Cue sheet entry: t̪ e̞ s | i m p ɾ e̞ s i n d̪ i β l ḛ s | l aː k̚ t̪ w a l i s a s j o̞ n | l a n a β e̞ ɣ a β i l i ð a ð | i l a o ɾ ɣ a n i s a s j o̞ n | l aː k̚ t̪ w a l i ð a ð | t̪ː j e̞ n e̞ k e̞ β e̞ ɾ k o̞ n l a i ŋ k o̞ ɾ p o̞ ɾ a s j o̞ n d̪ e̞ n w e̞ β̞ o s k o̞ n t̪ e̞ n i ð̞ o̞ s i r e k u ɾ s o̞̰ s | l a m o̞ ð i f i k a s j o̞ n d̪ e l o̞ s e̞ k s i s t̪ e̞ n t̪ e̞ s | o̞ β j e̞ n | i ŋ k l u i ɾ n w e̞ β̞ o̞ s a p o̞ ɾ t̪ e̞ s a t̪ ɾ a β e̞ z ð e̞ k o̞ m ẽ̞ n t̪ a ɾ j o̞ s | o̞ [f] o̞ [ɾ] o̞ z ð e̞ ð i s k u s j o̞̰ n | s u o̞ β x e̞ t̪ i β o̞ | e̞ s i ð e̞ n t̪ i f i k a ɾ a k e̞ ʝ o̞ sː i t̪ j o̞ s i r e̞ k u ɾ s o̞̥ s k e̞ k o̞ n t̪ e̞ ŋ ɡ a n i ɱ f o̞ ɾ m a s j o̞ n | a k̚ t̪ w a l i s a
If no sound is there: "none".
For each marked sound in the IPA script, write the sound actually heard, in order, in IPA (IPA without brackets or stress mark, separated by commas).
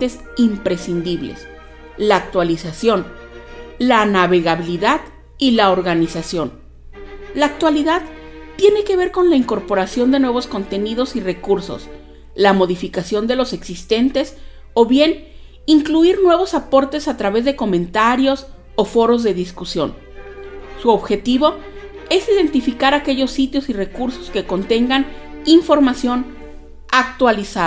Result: f, ɾ